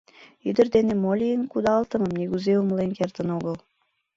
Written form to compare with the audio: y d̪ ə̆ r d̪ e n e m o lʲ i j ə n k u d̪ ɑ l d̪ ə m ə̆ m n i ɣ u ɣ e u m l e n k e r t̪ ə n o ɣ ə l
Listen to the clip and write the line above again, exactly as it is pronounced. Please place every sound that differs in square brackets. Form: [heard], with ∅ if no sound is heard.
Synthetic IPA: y d̪ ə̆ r d̪ e n e m o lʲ i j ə n k u d̪ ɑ l [t̪] ə m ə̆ m n i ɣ u [z] e u m l e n k e r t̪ ə n o ɣ ə l